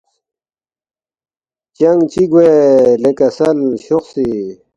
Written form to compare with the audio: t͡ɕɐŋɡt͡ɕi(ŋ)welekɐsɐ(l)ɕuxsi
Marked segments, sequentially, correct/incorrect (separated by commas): incorrect, correct